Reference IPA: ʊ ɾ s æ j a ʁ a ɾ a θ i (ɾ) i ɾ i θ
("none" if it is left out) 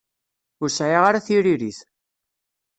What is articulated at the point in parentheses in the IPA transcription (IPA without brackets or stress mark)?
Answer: ɾ